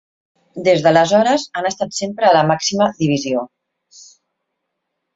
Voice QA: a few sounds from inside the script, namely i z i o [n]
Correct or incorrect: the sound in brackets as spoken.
incorrect: none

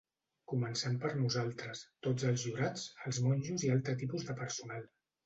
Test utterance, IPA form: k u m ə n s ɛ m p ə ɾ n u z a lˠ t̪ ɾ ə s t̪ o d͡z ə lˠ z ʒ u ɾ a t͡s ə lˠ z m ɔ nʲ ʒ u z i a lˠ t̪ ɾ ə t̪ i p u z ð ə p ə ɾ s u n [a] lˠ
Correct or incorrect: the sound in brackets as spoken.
correct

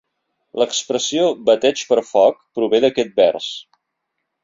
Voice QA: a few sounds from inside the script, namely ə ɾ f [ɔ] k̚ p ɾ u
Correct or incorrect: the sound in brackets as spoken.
correct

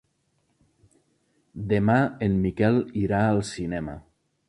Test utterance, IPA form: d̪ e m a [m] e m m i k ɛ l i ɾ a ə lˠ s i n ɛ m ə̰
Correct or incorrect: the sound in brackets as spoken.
incorrect: none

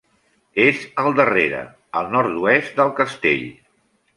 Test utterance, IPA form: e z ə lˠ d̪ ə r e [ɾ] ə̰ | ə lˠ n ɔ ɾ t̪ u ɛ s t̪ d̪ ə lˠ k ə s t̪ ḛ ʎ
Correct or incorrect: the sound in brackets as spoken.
correct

